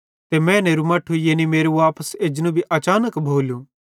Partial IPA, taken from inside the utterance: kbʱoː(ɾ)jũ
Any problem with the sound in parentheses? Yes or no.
yes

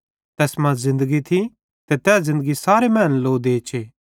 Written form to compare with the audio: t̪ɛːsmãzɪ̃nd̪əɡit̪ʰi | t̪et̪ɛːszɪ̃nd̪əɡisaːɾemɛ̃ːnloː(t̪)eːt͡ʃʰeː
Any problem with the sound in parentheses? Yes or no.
yes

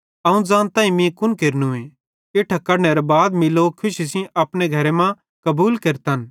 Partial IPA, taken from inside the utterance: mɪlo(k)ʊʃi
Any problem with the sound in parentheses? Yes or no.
yes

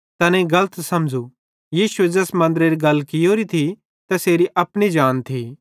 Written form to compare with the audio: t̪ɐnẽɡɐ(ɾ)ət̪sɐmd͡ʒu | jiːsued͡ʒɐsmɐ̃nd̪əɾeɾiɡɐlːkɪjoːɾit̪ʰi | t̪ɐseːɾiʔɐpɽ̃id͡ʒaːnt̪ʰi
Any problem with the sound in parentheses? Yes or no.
yes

